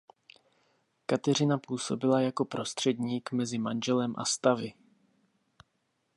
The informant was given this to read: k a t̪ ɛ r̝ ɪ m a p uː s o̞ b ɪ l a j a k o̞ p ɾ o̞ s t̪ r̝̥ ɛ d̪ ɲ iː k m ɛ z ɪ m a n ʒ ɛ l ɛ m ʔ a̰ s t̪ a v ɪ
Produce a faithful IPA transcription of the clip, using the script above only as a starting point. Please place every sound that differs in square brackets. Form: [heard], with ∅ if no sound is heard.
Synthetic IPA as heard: k a t̪ ɛ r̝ ɪ [n] a p uː s o̞ b ɪ l a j a k o̞ p ɾ o̞ s t̪ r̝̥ ɛ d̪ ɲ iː k m ɛ z ɪ m a n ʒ ɛ l ɛ m ʔ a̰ s t̪ a v ɪ